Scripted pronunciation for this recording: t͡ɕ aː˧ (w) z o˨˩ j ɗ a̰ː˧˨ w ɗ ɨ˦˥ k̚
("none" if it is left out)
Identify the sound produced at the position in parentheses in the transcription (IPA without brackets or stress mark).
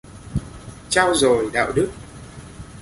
w